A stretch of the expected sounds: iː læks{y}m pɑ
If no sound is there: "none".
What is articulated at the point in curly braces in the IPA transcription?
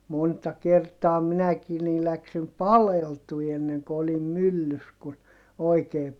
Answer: i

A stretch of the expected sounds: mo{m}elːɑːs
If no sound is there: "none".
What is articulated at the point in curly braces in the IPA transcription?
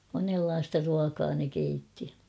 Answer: n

